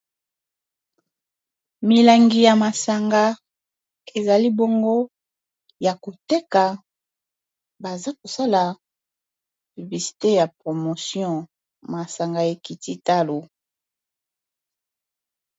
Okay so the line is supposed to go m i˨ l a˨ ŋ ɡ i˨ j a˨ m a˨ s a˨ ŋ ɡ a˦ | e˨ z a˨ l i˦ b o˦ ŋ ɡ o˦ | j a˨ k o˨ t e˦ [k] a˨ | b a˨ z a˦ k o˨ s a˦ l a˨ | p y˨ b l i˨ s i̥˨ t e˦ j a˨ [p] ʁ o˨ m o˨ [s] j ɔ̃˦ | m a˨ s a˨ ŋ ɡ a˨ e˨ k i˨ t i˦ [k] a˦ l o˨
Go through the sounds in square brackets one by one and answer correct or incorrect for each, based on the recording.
correct, correct, correct, incorrect

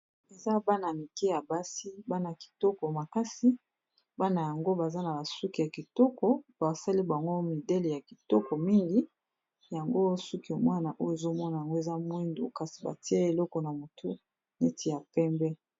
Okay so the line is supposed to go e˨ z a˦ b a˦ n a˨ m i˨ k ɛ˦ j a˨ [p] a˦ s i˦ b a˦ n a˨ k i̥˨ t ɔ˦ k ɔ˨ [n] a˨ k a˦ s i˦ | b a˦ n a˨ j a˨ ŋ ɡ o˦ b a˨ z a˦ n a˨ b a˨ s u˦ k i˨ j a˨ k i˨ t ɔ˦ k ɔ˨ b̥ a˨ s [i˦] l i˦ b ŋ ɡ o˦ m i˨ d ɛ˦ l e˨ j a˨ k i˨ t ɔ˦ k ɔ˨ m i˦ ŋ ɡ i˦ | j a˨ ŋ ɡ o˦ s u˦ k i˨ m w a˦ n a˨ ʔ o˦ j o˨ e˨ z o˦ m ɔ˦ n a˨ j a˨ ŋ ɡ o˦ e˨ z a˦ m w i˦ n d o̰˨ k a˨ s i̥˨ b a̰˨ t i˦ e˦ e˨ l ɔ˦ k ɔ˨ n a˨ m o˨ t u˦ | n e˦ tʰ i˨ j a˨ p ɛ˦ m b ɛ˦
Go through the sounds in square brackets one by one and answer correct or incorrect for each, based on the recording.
incorrect, incorrect, incorrect

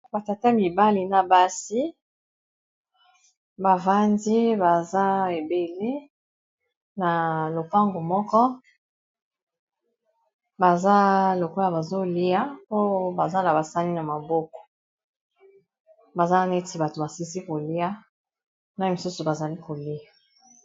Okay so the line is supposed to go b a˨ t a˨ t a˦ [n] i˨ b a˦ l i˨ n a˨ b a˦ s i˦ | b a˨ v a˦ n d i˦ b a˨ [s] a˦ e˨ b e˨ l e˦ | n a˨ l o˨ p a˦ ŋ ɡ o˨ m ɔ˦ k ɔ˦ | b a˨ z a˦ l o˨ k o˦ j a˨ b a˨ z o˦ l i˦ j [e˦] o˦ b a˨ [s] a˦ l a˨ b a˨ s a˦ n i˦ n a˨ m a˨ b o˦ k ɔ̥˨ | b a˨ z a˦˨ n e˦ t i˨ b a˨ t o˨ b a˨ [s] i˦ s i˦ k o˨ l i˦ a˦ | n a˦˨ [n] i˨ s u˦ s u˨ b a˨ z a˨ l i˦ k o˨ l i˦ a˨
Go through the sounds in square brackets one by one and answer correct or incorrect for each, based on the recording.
incorrect, incorrect, incorrect, incorrect, correct, incorrect

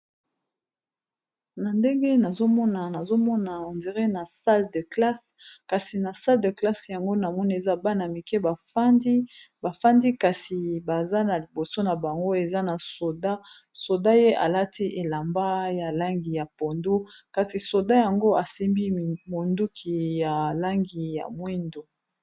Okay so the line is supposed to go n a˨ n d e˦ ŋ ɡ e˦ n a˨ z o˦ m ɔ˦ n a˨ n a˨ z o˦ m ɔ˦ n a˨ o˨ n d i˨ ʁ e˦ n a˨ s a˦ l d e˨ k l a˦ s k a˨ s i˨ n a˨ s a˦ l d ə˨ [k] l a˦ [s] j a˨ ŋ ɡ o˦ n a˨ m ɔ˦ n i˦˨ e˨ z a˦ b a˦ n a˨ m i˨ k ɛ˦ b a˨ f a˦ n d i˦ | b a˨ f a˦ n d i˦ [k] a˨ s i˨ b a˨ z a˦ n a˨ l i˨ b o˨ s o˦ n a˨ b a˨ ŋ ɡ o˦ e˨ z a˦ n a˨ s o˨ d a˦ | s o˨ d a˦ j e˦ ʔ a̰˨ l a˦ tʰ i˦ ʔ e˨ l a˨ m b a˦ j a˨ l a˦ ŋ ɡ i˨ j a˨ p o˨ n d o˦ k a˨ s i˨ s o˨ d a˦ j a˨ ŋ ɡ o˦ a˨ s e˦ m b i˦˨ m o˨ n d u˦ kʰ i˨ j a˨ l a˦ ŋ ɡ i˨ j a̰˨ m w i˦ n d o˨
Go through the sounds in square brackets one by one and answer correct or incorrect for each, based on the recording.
correct, correct, correct

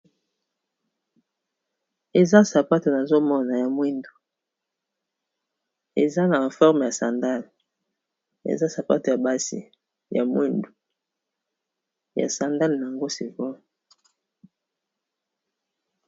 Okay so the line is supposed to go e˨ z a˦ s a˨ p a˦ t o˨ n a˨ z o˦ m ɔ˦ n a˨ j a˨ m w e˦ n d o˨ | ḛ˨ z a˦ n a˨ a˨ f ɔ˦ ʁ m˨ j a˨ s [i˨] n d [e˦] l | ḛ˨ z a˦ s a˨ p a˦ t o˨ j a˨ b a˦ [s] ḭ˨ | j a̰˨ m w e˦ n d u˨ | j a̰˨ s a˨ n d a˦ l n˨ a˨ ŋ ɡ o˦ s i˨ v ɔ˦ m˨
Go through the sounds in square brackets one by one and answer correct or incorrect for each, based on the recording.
incorrect, incorrect, correct

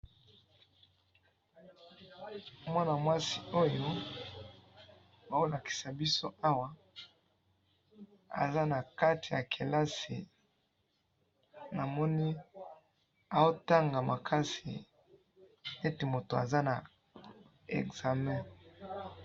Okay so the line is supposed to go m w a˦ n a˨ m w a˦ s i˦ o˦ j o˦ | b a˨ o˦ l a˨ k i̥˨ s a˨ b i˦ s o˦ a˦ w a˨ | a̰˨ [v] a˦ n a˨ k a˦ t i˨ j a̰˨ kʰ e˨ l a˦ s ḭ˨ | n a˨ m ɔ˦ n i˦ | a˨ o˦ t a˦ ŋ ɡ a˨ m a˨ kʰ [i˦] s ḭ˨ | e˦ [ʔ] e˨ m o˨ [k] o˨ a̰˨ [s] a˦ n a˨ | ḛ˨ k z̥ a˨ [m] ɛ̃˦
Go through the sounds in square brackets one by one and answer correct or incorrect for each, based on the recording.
incorrect, incorrect, incorrect, incorrect, incorrect, correct

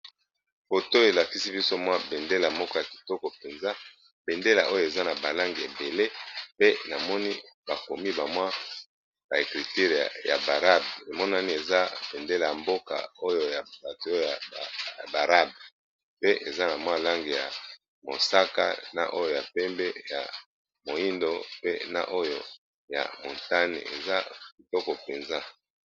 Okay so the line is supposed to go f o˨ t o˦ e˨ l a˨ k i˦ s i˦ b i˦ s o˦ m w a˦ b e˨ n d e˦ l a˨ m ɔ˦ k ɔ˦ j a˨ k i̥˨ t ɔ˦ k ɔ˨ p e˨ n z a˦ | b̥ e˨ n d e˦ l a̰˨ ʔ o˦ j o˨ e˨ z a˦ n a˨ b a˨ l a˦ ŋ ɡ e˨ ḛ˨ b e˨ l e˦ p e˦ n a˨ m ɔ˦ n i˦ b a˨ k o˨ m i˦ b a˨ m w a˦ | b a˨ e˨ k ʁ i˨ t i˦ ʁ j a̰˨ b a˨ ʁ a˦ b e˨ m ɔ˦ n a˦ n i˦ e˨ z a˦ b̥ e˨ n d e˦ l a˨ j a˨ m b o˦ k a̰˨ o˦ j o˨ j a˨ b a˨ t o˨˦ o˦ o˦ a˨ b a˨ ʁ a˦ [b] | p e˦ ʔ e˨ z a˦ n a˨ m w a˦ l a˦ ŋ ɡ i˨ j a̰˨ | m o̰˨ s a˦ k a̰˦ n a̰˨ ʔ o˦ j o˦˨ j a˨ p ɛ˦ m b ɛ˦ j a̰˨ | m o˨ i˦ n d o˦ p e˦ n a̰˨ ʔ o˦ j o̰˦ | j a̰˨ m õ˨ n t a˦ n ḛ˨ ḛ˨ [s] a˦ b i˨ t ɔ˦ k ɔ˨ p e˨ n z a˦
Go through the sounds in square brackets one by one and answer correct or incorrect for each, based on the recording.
correct, incorrect

